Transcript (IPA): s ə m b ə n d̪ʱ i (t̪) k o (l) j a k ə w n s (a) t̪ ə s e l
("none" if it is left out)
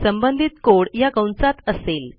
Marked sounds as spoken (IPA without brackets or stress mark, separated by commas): t̪, ɽ, a